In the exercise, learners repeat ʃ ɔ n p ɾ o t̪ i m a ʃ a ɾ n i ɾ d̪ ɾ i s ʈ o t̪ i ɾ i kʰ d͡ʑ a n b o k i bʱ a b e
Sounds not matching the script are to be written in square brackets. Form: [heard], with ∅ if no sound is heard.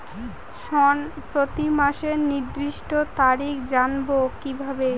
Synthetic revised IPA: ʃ ɔ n p ɾ o t̪ i m a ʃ [e] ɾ n i ɾ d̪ ɾ i [ʃ] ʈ o t̪ [a] ɾ i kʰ d͡ʑ a n b o k i bʱ a b e